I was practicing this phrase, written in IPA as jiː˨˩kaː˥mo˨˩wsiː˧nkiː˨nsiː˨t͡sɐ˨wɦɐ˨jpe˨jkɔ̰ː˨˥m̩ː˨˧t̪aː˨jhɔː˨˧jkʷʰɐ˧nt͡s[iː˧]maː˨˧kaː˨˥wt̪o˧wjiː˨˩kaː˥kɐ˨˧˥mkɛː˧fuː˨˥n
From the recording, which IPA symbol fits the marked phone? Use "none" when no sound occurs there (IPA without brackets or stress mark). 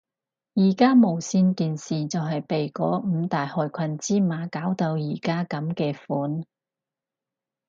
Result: iː˥